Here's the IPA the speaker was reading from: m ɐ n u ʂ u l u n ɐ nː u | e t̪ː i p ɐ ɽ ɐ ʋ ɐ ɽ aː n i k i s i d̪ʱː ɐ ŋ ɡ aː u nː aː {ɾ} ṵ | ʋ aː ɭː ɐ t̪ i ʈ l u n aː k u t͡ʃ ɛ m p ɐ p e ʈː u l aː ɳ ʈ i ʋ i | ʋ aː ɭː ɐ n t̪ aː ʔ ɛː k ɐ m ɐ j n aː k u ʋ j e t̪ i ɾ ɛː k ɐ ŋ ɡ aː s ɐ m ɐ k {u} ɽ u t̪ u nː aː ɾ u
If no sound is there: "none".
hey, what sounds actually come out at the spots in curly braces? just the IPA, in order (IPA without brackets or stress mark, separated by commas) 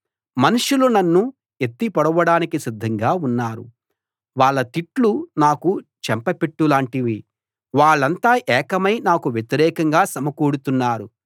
ɾ, uː